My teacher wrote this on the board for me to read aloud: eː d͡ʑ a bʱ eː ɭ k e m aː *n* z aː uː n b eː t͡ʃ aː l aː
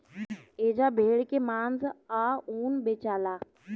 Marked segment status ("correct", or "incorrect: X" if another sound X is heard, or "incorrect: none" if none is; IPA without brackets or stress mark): correct